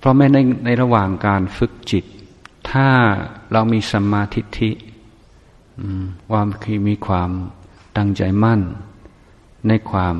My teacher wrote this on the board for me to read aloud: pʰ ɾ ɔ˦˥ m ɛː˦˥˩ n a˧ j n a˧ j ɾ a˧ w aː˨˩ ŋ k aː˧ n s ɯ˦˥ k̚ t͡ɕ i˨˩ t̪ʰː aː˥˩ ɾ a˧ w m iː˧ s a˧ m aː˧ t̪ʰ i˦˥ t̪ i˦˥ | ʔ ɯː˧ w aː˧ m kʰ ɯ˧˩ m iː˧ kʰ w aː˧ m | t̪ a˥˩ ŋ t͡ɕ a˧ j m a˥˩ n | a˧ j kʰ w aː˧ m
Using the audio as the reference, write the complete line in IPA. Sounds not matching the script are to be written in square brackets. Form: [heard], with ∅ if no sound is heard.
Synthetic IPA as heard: pʰ ɾ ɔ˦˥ m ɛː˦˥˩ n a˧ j n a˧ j ɾ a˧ w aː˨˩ ŋ k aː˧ n [f] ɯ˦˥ k̚ t͡ɕ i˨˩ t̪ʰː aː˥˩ ɾ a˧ w m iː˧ s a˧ m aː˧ t̪ʰ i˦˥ [t̪ʰ] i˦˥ | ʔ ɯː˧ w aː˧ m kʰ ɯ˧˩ m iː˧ kʰ w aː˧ m | t̪ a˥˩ ŋ t͡ɕ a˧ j m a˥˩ n | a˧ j kʰ w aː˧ m